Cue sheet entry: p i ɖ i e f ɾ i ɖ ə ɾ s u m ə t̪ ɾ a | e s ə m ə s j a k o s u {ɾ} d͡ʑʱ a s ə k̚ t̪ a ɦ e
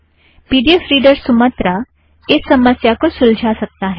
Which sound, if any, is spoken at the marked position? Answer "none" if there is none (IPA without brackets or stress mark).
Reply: l